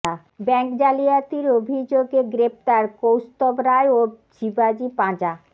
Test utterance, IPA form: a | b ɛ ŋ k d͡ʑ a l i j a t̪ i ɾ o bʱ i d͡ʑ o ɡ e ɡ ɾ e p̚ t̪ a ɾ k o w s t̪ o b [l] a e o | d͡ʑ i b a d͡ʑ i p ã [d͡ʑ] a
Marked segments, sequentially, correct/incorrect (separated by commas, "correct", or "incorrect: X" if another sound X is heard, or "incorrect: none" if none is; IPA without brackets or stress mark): incorrect: ɾ, correct